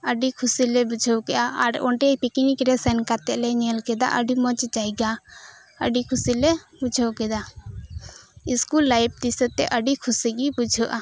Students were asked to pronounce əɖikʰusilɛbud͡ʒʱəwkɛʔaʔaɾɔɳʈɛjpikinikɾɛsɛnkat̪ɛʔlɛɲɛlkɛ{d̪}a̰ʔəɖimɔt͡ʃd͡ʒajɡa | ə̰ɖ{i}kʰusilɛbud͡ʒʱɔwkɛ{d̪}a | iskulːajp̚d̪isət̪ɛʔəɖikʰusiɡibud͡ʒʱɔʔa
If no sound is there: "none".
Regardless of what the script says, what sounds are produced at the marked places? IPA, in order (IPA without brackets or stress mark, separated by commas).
d̪, i, d̪